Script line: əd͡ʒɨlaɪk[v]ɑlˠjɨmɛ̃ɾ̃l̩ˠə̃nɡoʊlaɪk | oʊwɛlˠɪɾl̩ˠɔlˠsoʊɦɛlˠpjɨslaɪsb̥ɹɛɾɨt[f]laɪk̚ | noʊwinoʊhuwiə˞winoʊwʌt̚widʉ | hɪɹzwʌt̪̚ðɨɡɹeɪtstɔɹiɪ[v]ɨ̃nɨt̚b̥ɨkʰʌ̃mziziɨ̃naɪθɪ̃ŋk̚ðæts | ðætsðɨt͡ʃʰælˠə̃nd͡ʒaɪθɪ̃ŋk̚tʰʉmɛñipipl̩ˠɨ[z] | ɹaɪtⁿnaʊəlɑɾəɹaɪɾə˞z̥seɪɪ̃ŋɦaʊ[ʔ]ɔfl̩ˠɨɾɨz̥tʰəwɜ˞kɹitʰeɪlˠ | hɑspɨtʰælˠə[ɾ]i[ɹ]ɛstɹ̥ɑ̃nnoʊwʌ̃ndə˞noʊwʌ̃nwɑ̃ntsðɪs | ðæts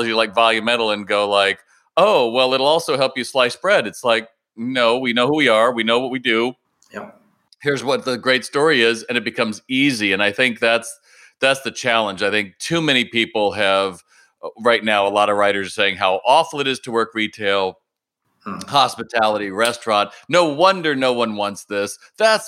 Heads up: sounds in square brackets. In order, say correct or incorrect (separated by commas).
correct, incorrect, incorrect, incorrect, correct, correct, correct